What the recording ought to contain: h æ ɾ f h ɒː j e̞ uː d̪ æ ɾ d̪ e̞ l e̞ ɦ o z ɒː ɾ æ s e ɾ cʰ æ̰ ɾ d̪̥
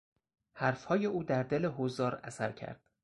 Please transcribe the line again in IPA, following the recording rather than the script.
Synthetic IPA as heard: h æ ɾ f h ɒː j e̞ uː d̪ æ ɾ d̪ e̞ l e̞ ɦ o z ɒː ɾ æ s æ ɾ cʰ æ̰ ɾ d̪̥